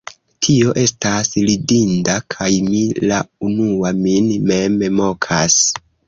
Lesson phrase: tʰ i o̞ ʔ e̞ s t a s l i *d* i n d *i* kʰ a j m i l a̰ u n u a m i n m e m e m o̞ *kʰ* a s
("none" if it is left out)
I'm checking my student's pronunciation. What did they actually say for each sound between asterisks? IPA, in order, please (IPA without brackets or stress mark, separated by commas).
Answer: d, a, kʰ